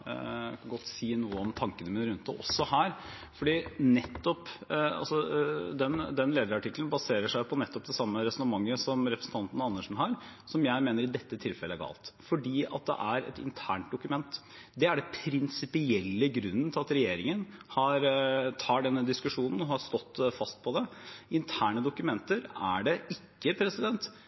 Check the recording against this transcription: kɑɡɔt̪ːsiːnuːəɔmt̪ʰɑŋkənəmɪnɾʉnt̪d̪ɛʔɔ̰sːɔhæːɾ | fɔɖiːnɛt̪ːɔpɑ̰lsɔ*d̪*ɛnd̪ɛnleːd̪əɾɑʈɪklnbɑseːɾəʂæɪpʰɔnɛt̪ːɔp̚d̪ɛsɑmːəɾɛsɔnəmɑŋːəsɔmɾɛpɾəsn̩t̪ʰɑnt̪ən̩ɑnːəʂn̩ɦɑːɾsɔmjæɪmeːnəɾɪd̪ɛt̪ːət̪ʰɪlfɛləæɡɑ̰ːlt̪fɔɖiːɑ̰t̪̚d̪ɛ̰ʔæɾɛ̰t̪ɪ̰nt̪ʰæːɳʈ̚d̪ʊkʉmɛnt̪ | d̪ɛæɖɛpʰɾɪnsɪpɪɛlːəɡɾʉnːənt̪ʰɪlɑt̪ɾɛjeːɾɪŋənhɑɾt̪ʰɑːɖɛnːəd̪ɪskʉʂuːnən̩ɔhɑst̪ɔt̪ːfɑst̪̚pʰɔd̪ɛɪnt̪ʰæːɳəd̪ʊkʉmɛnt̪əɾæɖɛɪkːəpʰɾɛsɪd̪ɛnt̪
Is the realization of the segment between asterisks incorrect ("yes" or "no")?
no